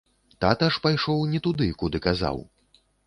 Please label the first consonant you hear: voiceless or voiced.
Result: voiceless